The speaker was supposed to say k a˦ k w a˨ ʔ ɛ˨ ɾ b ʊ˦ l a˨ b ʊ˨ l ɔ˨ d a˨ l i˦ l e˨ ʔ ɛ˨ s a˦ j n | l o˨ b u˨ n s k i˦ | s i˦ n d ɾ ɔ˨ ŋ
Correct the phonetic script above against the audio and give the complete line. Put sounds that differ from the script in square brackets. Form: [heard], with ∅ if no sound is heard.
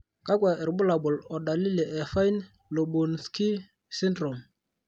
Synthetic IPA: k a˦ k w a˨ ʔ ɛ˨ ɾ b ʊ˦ l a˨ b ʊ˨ l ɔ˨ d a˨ l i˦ l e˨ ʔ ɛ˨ [f] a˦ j n | l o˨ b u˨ n s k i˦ | s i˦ n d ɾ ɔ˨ [m]